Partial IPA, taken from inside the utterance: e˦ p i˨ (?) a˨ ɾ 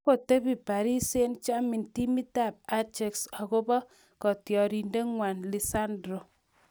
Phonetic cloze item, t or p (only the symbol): p